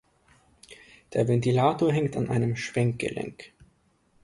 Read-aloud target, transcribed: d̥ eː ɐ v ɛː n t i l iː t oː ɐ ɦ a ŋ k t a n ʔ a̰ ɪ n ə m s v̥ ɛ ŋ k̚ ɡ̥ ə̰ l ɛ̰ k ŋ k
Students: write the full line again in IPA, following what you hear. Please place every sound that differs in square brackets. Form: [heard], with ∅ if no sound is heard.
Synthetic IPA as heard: d̥ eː ɐ v [ɛ] n t i l [aː] t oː ɐ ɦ [ɛ] ŋ k t a n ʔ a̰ ɪ n ə m [ʃ] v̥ ɛ ŋ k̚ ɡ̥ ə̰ l ɛ̰ [∅] ŋ k